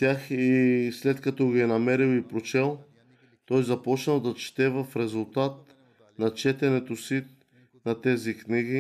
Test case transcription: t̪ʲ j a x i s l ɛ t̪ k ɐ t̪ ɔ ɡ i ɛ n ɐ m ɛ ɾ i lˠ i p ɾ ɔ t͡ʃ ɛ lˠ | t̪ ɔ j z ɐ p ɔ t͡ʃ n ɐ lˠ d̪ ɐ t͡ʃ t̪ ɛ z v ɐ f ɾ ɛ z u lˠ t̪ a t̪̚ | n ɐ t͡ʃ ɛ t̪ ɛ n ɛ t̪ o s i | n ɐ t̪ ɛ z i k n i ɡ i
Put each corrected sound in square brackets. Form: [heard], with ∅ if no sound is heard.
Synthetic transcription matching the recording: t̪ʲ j a x i s l ɛ t̪ k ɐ t̪ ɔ ɡ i ɛ n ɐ m ɛ ɾ i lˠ i p ɾ [o] t͡ʃ ɛ lˠ | t̪ ɔ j z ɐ p ɔ t͡ʃ n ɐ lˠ d̪ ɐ t͡ʃ t̪ ɛ [∅] v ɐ f ɾ ɛ z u lˠ t̪ a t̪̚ | n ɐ t͡ʃ ɛ t̪ ɛ n ɛ t̪ o s i | n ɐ t̪ ɛ z i k n i ɡ i